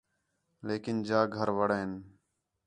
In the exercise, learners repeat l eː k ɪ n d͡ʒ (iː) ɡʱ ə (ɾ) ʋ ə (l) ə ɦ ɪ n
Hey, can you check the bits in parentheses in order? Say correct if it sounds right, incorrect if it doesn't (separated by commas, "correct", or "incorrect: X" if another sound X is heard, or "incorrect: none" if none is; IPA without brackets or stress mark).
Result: incorrect: aː, correct, incorrect: ɽ